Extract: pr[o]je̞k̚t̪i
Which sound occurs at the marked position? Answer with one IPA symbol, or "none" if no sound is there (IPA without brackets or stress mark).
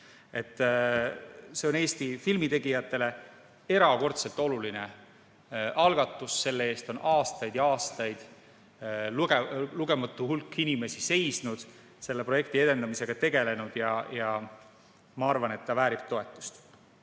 o